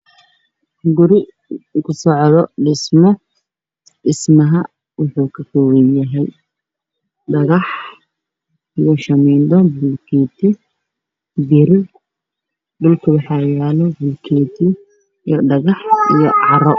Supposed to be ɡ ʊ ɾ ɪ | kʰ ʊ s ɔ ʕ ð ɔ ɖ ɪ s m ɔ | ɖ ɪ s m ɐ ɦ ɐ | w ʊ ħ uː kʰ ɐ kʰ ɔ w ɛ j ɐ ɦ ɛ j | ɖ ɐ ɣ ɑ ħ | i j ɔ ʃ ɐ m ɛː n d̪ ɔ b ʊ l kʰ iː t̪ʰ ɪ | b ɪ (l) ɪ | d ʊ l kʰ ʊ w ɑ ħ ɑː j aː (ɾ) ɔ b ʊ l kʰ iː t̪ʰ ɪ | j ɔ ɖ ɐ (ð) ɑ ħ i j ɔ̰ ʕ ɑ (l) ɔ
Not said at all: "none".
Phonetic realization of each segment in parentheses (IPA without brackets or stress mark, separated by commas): ɾ, l, ɣ, ɾ